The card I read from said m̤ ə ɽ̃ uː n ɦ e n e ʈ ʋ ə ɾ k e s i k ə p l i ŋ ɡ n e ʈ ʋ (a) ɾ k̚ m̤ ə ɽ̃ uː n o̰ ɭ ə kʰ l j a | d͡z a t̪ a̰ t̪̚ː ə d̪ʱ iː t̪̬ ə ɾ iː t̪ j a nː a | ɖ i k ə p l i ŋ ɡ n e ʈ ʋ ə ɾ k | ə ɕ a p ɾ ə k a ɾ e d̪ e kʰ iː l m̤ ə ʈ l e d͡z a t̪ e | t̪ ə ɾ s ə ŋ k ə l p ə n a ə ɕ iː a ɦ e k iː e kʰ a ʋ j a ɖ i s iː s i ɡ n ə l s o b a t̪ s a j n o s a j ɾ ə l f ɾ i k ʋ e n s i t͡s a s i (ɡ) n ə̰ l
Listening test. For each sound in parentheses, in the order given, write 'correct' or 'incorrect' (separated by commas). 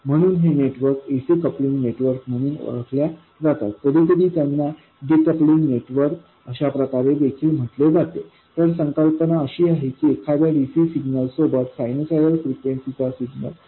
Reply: incorrect, correct